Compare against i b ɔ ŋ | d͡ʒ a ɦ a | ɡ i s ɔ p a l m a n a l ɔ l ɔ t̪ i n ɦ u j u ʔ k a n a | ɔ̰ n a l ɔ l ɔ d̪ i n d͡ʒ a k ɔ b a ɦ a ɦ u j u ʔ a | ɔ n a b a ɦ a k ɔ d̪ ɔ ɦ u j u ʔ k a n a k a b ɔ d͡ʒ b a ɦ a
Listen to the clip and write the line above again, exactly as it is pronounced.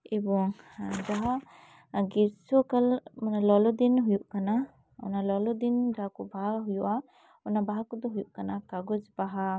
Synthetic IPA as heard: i b ɔ ŋ | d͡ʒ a ɦ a | ɡ i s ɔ k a l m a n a l ɔ l ɔ d̪ i n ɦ u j u ʔ k a n a | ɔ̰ n a l ɔ l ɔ d̪ i n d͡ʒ a k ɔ b a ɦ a ɦ u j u ʔ a | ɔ n a b a ɦ a k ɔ d̪ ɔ ɦ u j u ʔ k a n a k a ɡ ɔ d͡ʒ b a ɦ a

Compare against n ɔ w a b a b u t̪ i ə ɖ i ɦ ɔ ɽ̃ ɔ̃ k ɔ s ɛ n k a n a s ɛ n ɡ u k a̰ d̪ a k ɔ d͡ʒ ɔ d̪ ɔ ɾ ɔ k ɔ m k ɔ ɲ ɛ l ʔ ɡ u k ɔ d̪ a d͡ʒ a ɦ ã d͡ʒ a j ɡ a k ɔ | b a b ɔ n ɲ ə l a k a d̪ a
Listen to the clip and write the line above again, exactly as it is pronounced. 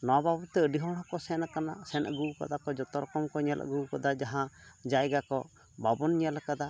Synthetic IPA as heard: n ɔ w a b a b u t̪ ɛ ə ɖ i ɦ ɔ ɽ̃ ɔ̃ k ɔ s ɛ n k a n a s ɛ n ɡ u k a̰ d̪ a k ɔ d͡ʒ ɔ t̪ ɔ ɾ ɔ k ɔ m k ɔ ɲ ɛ l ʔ ɡ u k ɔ d̪ a d͡ʒ a ɦ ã d͡ʒ a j ɡ a k ɔ | b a b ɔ n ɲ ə l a k a d̪ a

